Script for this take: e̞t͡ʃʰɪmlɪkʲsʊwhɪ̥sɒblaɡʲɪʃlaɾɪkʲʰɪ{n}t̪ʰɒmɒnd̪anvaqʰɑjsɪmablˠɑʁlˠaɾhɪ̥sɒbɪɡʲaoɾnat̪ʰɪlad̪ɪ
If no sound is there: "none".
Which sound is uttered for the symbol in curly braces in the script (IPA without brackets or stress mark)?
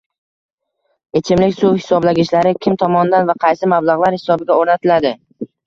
m